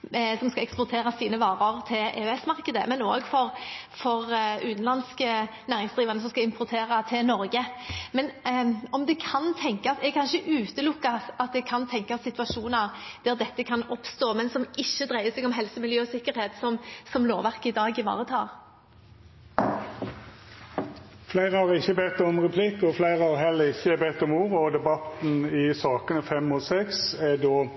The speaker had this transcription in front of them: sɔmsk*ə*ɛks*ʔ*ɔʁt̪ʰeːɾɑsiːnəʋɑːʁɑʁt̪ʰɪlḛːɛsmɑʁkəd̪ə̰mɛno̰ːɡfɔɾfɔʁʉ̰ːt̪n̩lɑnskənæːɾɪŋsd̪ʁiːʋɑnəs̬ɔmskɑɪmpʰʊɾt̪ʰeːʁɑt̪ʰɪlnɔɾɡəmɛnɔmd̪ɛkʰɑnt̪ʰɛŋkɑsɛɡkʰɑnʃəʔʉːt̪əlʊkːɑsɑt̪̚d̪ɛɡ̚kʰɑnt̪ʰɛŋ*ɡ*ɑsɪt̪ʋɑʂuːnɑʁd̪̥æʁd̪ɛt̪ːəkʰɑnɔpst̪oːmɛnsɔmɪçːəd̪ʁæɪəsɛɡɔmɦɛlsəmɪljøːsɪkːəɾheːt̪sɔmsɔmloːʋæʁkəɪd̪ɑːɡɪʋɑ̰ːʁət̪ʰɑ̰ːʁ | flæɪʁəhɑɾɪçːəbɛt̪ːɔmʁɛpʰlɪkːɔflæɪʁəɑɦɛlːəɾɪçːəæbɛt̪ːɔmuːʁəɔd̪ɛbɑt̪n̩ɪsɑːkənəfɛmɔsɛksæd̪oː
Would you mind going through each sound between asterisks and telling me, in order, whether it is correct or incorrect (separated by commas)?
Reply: incorrect, incorrect, incorrect